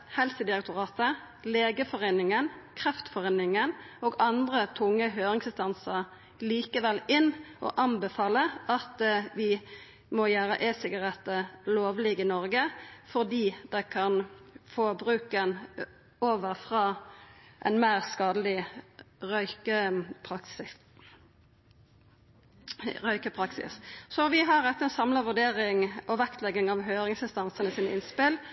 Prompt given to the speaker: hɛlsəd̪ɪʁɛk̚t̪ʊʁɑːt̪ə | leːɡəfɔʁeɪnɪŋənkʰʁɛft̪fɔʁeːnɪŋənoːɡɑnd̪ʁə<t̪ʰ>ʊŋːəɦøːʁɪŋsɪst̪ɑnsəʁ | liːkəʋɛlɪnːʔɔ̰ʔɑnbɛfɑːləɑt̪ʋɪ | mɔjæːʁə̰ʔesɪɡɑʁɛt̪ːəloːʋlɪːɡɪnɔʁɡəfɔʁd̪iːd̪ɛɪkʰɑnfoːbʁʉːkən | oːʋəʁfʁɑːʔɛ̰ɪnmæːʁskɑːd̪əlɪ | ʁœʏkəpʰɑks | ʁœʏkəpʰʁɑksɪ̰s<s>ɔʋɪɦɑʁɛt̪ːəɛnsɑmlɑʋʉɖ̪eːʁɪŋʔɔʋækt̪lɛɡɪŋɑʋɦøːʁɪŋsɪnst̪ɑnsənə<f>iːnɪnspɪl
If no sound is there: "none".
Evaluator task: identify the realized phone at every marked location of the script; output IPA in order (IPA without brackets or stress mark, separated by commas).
t̪ʰ, s, s